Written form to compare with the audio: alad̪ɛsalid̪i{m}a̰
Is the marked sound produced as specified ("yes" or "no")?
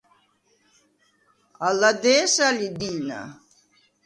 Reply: no